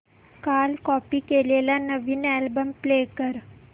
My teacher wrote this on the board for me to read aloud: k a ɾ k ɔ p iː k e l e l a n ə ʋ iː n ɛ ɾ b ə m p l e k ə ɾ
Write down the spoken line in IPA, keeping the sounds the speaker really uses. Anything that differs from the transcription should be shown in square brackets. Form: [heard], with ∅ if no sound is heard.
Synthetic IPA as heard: k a [l] k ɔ p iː k e l e l a n ə ʋ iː n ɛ [l] b ə m p l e k ə ɾ